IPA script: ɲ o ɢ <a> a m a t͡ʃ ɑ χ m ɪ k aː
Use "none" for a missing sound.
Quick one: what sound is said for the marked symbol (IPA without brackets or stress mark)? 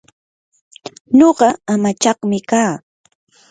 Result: ɑ